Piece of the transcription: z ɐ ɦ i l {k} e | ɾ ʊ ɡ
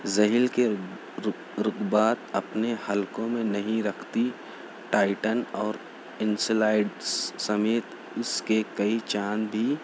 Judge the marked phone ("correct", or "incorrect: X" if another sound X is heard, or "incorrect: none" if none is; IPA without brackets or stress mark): correct